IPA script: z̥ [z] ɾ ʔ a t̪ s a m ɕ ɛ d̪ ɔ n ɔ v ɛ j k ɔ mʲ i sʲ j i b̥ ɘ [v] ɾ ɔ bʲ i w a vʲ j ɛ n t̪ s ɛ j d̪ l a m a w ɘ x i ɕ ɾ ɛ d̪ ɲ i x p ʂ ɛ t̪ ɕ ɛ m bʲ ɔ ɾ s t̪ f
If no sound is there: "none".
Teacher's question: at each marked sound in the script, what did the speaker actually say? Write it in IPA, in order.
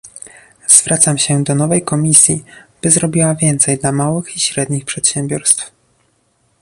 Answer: v, z

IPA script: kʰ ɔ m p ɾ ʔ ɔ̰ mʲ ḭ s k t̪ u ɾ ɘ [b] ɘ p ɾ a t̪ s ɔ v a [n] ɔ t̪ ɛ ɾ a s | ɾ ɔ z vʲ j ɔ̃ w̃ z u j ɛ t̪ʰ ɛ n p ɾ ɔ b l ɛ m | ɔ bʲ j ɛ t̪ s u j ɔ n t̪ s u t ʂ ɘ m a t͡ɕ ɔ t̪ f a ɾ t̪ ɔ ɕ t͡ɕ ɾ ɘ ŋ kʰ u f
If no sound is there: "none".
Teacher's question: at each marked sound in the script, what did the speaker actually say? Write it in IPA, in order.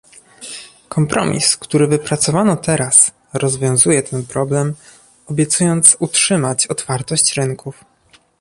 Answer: v, n

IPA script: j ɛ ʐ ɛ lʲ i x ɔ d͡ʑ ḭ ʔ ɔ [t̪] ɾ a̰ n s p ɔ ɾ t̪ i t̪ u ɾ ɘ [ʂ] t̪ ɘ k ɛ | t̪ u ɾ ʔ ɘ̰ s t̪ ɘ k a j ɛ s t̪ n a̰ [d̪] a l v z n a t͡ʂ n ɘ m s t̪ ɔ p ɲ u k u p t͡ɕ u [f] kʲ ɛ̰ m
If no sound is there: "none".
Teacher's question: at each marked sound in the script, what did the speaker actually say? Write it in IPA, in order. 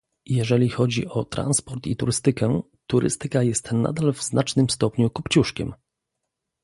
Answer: t̪, s, d̪, ʂ

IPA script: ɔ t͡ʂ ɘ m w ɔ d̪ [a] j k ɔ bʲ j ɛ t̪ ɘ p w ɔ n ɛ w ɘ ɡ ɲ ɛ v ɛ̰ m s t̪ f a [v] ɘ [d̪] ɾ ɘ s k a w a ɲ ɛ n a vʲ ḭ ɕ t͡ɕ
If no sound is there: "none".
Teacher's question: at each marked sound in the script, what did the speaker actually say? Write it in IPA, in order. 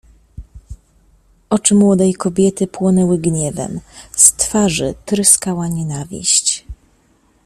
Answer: ɛ, ʐ, t̪

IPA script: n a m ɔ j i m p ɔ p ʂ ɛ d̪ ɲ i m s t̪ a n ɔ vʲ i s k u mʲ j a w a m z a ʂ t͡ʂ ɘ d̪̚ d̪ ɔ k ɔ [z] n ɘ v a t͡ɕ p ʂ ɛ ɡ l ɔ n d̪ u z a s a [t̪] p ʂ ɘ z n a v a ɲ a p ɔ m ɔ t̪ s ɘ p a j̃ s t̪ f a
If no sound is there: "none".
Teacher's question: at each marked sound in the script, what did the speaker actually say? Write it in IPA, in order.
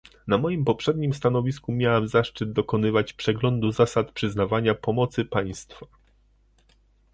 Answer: none, t̪

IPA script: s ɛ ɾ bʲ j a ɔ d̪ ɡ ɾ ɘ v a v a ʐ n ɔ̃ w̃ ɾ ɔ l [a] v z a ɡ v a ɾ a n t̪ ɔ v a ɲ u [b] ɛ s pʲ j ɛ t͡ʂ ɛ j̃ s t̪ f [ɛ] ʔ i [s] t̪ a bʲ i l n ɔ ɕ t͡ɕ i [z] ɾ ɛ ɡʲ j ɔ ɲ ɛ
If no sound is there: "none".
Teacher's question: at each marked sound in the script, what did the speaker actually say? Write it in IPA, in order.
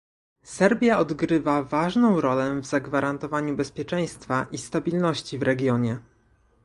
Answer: ɛ, b, a, s, v

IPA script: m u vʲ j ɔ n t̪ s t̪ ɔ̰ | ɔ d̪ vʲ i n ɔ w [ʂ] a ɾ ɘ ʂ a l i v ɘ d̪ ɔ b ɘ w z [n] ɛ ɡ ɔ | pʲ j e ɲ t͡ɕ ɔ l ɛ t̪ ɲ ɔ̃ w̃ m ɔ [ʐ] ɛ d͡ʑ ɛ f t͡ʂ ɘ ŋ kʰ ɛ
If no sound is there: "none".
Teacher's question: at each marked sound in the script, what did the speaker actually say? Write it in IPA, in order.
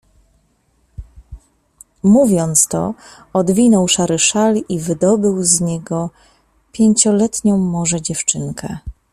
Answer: ʂ, ɲ, ʐ

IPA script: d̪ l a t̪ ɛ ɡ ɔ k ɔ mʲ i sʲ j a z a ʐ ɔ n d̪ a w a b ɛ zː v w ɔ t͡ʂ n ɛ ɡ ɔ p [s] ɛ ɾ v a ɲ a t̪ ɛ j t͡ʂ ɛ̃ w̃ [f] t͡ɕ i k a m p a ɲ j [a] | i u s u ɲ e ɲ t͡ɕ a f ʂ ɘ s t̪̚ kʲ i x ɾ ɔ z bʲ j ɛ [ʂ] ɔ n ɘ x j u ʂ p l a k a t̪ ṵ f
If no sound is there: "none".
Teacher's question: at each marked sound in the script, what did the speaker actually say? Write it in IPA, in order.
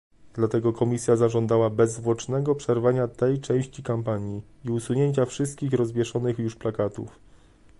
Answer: ʂ, ɕ, i, ʂ

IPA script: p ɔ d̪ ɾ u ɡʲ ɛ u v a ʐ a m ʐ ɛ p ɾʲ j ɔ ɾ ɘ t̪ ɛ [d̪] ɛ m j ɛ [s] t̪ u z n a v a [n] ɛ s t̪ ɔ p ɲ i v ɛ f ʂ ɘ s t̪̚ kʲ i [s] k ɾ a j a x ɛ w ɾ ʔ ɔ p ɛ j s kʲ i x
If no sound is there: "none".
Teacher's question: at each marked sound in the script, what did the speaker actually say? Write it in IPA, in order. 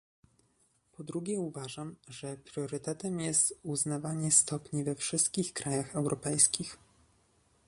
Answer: t̪, s, ɲ, x

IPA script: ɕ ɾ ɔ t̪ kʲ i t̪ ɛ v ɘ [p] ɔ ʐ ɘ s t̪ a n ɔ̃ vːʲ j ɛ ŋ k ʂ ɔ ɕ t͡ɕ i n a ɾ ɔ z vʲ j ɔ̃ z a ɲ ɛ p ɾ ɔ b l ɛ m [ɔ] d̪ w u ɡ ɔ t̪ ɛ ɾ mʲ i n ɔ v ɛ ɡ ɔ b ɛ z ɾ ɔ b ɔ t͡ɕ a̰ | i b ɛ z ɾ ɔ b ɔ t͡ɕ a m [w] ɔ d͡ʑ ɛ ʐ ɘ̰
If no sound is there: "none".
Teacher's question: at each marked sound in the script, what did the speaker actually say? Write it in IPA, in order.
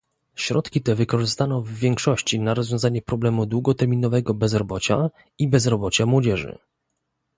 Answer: k, u, w

